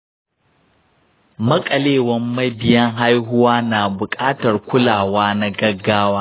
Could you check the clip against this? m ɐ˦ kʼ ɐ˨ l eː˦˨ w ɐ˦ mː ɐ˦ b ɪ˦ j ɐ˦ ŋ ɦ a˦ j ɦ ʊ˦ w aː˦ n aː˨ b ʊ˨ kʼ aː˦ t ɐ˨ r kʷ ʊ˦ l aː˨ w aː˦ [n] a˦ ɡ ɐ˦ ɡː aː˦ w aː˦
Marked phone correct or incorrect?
correct